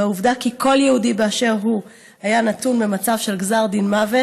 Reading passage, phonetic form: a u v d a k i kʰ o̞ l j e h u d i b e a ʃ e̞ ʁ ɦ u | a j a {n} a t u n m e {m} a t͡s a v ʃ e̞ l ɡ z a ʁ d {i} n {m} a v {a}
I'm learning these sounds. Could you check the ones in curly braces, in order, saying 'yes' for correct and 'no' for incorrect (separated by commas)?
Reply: yes, yes, yes, yes, no